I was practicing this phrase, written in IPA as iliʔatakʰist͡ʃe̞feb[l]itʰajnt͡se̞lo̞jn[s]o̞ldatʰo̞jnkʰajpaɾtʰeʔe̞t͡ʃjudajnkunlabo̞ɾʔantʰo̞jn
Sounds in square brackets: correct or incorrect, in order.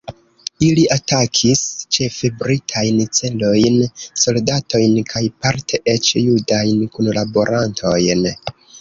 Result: incorrect: ɾ, correct

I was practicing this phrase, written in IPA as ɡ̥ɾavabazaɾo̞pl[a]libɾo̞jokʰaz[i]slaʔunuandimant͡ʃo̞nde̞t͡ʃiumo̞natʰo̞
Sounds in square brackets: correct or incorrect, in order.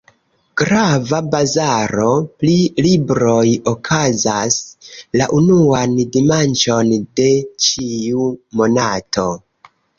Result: incorrect: i, incorrect: a

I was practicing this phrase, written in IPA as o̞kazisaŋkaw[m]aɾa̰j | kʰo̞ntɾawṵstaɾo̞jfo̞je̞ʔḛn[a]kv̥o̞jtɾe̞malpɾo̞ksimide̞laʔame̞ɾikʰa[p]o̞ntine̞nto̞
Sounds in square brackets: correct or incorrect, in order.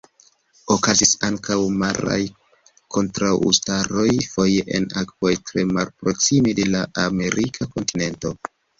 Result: correct, correct, incorrect: k

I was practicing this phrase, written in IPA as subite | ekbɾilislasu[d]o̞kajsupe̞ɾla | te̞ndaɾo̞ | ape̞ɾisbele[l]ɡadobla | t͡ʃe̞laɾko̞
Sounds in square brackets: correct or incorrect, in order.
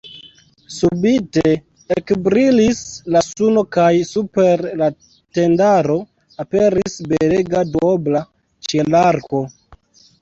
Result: incorrect: n, incorrect: none

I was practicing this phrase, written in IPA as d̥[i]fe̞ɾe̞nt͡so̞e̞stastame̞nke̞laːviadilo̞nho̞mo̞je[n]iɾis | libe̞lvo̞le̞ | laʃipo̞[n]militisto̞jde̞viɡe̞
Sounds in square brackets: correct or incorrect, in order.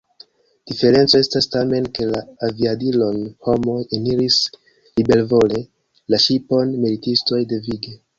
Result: correct, correct, correct

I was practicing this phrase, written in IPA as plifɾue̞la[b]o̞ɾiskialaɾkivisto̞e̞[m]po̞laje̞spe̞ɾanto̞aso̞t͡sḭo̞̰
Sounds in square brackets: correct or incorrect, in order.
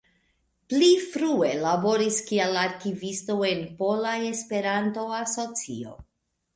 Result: correct, incorrect: n

